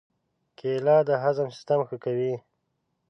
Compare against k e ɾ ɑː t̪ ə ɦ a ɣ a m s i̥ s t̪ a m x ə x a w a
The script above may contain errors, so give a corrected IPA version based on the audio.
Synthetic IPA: k e l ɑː d̪ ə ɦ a z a m s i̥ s t̪ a m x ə k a w i